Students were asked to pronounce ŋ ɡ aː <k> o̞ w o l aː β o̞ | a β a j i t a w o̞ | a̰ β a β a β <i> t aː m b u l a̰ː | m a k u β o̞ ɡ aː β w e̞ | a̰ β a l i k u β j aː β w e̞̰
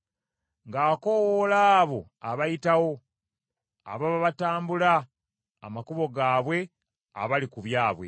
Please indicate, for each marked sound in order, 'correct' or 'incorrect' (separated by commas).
correct, incorrect